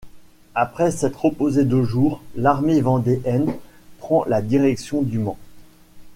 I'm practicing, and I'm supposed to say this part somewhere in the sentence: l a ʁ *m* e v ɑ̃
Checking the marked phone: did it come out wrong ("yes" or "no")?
no